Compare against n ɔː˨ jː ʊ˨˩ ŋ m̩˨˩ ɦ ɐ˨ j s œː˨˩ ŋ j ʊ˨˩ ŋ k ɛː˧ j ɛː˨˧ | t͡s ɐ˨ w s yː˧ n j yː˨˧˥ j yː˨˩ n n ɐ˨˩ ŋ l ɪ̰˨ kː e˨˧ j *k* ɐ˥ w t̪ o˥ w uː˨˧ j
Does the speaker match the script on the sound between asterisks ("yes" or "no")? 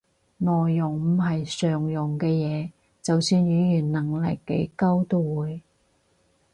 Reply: yes